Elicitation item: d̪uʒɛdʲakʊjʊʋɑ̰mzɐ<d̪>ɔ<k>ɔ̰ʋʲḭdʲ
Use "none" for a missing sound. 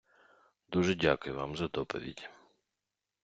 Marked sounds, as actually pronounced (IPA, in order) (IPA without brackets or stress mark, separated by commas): d̪, p